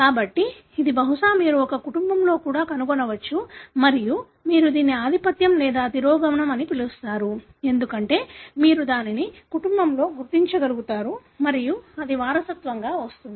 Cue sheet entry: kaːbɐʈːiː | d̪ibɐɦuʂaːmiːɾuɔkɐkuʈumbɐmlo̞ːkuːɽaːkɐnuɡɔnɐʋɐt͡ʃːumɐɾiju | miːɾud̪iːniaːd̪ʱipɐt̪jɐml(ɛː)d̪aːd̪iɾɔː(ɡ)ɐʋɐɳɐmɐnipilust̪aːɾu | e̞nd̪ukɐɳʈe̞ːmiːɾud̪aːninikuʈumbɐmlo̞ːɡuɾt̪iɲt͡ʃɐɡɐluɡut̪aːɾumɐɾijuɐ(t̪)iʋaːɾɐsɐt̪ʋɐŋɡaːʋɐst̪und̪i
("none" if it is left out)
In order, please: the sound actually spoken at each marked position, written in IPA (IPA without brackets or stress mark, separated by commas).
ɛː, ɡ, d̪